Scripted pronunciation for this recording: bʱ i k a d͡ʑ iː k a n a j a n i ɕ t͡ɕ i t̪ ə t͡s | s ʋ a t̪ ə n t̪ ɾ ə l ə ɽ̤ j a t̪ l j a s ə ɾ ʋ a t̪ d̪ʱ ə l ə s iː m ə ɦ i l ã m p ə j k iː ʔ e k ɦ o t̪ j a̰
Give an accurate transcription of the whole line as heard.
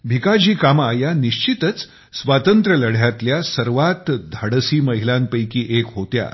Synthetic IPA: bʱ i k a d͡ʑ iː k a m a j a n i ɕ t͡ɕ i t̪ ə t͡s | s ʋ a t̪ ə n t̪ ɾ ə l ə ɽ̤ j a t̪ l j a s ə ɾ ʋ a t̪ d̪ʱ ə ɽ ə s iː m ə ɦ i l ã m p ə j k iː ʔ e k ɦ o t̪ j a̰